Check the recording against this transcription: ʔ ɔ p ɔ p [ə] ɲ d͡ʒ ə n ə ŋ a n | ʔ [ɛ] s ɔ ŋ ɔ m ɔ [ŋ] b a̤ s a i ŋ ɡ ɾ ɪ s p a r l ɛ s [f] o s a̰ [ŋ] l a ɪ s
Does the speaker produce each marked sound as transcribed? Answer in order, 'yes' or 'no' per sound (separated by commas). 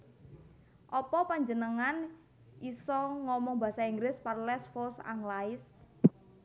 no, no, yes, yes, yes